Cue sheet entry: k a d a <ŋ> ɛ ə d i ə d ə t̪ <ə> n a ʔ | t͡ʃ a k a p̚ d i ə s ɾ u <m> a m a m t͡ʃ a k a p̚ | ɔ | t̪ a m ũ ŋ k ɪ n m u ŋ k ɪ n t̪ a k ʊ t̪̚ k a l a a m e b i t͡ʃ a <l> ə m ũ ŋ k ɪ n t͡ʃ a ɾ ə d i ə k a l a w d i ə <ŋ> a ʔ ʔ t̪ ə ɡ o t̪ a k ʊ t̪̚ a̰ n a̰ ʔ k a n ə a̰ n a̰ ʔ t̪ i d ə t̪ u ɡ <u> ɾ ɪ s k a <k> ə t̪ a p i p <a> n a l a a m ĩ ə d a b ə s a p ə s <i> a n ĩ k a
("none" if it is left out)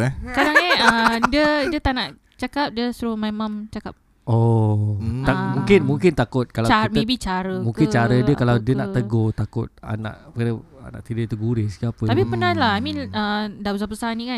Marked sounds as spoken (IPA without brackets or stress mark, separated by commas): ŋ, a, m, ɾ, n, u, p, ə, a